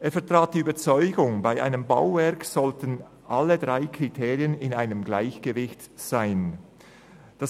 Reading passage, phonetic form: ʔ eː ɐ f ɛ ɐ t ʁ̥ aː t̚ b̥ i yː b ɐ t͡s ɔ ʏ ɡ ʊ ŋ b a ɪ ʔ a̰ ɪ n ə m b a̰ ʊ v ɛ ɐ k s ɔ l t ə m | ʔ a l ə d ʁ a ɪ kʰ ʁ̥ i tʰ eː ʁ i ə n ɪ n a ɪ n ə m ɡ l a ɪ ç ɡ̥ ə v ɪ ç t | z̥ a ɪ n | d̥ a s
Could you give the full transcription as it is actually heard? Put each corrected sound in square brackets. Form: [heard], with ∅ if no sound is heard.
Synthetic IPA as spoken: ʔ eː ɐ f ɛ ɐ t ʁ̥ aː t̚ [d̥] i yː b ɐ t͡s ɔ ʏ ɡ ʊ ŋ b a ɪ ʔ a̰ ɪ n ə m b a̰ ʊ v ɛ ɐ k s ɔ l t ə [n] | ʔ a l ə d ʁ a ɪ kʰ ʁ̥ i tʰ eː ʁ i ə n ɪ n a ɪ n ə m ɡ l a ɪ ç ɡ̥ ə v ɪ ç t | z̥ a ɪ n | d̥ a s